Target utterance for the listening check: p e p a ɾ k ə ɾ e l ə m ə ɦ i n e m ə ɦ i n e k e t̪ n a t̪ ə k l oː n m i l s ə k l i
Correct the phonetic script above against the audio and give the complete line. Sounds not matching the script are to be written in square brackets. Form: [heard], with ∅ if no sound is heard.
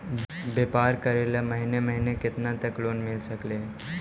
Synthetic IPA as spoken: [b] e p a ɾ k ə ɾ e l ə m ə ɦ i n e m ə ɦ i n e k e t̪ n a t̪ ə k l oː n m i l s ə k l [e]